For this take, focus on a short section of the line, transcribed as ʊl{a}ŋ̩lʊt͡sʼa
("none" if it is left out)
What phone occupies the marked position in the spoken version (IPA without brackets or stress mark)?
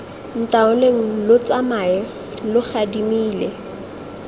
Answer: e